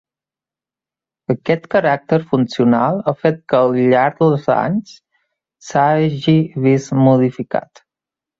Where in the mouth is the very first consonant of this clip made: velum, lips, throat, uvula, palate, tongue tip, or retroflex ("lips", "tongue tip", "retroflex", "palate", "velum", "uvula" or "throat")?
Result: velum